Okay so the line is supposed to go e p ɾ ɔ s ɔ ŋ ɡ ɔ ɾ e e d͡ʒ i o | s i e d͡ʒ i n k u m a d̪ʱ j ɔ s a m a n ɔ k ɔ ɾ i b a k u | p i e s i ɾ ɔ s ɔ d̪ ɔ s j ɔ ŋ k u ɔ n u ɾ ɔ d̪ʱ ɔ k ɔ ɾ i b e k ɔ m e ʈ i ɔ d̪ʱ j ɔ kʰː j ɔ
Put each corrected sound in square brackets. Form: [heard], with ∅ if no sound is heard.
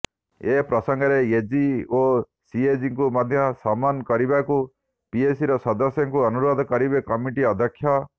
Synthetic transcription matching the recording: e p ɾ ɔ s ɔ ŋ ɡ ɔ ɾ e e d͡ʒ i o | s i e d͡ʒ i [ŋ] k u m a d̪ʱ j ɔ s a m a n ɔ k ɔ ɾ i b a k u | p i e s i ɾ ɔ s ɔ d̪ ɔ s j ɔ ŋ k u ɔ n u ɾ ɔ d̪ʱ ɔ k ɔ ɾ i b e k ɔ m [i] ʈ i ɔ d̪ʱ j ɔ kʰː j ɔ